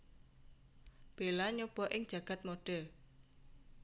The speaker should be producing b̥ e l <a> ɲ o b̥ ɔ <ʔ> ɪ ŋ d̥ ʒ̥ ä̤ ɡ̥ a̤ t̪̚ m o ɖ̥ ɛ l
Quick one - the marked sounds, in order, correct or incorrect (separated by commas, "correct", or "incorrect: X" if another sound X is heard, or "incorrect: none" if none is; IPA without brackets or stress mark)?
correct, correct